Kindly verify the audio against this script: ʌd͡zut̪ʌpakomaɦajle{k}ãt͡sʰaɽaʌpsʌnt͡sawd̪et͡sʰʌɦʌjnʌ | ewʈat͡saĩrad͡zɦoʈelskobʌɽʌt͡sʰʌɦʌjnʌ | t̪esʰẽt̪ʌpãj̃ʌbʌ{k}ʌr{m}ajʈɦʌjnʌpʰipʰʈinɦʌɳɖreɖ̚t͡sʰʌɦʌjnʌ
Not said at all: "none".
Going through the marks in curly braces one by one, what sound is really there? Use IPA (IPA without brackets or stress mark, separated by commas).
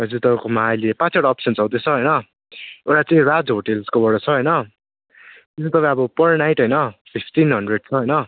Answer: p, p, n